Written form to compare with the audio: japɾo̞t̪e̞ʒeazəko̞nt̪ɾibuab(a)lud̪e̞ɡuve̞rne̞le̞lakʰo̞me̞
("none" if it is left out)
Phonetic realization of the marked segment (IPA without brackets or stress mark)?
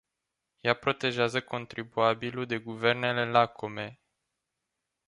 i